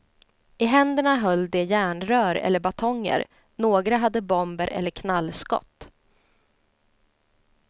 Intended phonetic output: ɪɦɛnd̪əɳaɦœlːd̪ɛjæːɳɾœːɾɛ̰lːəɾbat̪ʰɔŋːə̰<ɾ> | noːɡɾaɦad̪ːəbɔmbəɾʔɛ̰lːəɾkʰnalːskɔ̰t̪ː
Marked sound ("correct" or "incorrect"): correct